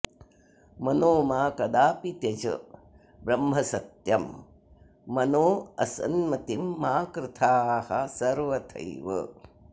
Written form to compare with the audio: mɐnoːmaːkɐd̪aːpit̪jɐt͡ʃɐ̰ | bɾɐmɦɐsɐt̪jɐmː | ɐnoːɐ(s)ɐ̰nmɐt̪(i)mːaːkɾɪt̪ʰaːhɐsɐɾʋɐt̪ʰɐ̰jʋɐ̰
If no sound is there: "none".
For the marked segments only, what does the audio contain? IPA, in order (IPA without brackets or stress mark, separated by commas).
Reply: s, i